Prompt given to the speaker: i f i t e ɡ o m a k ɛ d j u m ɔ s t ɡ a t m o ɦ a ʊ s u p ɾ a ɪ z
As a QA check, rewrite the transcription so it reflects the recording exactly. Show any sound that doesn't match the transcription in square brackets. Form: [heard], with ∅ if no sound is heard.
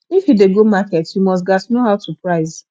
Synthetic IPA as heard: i f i [d] e ɡ o m a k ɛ [t] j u m ɔ s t ɡ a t [n] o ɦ a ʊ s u p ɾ a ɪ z